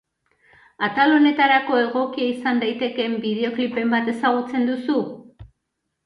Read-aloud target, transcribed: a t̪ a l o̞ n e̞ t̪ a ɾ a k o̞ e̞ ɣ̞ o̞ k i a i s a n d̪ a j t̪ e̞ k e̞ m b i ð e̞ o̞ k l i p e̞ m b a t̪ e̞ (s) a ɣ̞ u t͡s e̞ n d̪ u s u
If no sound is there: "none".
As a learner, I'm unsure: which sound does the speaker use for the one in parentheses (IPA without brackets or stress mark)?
s